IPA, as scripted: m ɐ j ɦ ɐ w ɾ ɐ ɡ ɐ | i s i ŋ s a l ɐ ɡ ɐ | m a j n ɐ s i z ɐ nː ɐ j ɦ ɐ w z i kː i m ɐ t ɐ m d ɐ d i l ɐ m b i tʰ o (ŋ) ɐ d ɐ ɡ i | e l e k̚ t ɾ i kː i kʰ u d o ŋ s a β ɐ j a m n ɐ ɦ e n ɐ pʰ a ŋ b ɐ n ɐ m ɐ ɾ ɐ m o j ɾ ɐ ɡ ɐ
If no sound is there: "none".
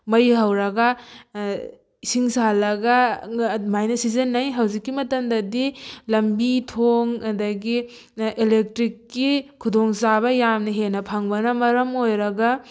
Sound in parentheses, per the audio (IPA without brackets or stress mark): ŋ